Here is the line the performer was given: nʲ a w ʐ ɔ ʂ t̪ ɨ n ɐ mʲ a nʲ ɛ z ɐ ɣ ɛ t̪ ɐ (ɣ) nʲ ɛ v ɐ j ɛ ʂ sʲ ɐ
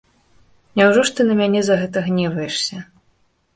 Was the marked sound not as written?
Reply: no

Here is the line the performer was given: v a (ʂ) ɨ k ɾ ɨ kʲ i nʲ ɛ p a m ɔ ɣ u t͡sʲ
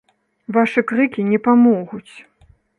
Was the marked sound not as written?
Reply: no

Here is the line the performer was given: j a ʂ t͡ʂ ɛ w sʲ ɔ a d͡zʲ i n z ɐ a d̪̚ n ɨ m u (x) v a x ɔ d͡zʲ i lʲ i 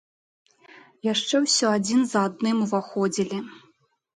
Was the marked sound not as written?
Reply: yes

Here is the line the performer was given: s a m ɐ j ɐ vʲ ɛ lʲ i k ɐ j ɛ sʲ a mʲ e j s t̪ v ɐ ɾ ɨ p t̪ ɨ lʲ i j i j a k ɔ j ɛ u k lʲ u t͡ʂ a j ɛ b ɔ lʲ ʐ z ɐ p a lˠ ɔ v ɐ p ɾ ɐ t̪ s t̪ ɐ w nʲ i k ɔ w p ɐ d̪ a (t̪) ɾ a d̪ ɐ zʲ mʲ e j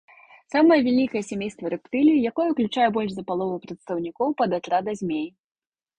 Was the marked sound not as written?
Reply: no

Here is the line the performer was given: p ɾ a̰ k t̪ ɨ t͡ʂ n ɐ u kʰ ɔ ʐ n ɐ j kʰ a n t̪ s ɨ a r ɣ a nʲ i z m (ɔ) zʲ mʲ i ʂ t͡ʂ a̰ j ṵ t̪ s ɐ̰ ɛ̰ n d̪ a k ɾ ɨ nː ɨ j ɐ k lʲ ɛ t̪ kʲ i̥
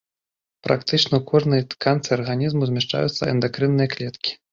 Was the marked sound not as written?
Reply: yes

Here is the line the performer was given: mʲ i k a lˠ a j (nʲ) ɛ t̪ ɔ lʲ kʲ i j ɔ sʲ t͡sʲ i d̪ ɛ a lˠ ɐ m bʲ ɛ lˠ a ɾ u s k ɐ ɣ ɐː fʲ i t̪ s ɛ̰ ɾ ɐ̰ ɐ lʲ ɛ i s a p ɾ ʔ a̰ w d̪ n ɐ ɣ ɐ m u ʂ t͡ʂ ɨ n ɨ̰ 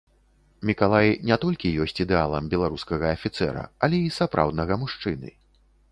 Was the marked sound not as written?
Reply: no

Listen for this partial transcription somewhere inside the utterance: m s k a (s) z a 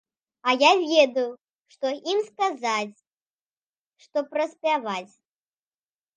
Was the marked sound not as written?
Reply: yes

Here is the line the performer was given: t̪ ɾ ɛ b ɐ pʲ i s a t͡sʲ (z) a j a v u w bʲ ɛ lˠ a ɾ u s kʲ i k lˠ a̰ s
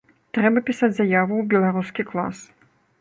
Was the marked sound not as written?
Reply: no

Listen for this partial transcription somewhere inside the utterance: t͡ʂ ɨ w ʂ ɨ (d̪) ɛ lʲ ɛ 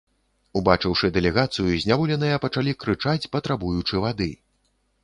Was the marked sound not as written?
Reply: no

